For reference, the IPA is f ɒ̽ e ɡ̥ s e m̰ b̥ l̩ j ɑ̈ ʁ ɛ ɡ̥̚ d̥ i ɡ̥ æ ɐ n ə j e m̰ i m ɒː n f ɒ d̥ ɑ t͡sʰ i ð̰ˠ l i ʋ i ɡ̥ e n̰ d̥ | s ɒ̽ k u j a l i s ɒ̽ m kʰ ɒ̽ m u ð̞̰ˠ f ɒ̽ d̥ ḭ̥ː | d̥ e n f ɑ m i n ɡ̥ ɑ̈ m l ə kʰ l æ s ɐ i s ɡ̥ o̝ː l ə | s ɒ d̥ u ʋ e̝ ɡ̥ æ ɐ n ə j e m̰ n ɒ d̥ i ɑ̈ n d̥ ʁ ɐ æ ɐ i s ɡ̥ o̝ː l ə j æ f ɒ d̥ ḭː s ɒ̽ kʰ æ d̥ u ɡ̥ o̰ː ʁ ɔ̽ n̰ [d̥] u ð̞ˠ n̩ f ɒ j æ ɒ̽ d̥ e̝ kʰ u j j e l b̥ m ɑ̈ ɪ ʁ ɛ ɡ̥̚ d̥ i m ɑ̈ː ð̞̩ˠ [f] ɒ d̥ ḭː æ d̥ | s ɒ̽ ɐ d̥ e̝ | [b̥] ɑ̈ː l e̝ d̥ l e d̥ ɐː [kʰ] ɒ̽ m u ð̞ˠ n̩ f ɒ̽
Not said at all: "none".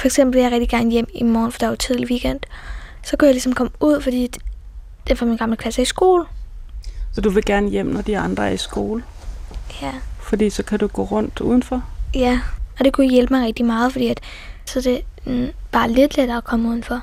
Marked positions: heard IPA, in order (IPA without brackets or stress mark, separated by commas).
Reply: d̥, f, b̥, kʰ